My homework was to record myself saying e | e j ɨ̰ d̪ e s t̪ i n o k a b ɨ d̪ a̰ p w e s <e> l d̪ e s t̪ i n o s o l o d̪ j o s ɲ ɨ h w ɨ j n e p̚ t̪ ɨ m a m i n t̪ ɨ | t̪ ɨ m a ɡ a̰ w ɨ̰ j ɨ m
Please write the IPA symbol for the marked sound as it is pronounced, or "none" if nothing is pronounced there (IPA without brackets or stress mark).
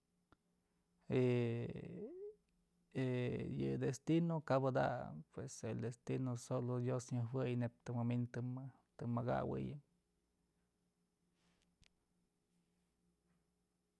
e